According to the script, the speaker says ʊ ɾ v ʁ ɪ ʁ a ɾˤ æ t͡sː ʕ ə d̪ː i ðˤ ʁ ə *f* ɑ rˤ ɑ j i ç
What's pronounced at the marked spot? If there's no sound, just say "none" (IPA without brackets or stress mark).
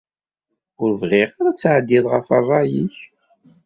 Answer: f